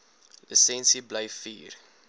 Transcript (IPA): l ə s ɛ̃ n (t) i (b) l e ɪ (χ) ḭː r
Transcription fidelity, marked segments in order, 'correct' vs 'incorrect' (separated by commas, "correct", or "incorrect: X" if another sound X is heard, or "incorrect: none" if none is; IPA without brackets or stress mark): incorrect: s, correct, incorrect: f